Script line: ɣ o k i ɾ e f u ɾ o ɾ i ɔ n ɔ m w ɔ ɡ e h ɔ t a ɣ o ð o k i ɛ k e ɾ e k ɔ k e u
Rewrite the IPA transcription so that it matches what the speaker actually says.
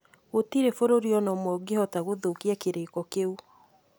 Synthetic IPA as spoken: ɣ o t i ɾ e f o ɾ o ɾ i ɔ n ɔ m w ɔ ɡ e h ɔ t a ɣ o ð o k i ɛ k e ɾ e k ɔ k e u